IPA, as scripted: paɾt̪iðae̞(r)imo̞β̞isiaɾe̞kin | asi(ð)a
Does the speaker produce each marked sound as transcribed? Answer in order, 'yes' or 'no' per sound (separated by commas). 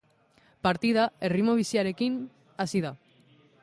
yes, yes